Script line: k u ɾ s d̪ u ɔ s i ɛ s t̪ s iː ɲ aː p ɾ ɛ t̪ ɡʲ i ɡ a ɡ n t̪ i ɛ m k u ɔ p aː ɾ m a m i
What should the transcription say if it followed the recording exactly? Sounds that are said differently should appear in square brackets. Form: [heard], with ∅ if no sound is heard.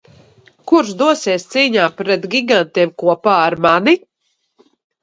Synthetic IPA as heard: k u ɾ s d̪ u ɔ s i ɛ s t̪ s iː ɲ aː p ɾ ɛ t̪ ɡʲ i ɡ a [∅] n t̪ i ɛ m k u ɔ p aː ɾ m a [n] i